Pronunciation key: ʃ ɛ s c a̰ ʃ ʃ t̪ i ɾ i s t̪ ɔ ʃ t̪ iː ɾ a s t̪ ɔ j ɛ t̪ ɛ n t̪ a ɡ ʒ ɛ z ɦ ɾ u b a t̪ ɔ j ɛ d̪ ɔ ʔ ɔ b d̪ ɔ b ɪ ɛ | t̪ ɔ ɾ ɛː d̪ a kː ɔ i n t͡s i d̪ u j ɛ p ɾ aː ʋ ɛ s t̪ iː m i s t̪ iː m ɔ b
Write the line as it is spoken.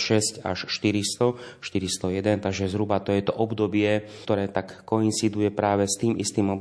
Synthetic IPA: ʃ ɛ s c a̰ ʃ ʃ t̪ i ɾ i s t̪ ɔ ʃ t̪ i ɾ i s t̪ ɔ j ɛ d̪ ɛ n t̪ a ɡ ʒ ɛ z ɦ ɾ u b a t̪ ɔ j ɛ t̪ ɔ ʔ ɔ b d̪ ɔ b ɪ ɛ | t̪ ɔ ɾ ɛː t̪ a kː ɔ i n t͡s i d̪ u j ɛ p ɾ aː ʋ ɛ s t̪ iː m i s t̪ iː m ɔ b